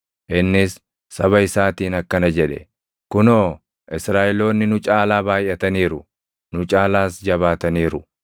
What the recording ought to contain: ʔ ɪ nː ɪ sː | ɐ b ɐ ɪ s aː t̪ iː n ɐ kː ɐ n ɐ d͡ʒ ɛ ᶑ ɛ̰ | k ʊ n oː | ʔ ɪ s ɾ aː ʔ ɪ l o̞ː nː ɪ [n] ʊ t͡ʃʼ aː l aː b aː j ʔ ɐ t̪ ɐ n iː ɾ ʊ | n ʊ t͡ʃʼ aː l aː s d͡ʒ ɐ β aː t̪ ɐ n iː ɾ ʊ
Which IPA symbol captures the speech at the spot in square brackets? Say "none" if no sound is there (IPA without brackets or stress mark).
n